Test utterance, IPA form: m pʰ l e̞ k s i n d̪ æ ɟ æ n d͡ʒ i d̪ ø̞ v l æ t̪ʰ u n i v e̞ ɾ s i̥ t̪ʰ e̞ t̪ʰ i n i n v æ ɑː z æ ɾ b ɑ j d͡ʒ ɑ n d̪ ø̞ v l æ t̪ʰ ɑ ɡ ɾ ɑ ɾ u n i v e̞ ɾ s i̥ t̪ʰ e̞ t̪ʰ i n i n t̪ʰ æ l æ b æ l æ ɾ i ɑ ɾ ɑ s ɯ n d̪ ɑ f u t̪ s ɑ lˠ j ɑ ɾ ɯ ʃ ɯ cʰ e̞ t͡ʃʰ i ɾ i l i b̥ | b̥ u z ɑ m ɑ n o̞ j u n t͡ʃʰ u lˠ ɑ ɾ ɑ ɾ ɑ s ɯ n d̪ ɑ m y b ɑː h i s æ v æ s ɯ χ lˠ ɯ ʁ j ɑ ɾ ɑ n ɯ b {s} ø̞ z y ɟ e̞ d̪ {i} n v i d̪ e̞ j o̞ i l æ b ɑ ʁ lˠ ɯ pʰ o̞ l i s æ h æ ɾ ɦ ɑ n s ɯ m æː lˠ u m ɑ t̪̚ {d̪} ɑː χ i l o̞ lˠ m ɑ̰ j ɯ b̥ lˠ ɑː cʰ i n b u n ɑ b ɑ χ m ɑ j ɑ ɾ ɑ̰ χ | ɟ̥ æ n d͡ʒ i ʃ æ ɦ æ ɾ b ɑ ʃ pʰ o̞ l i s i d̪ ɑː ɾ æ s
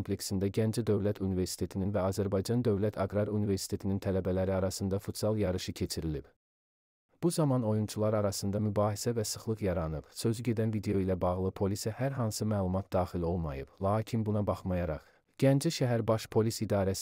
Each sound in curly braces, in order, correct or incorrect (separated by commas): correct, incorrect, correct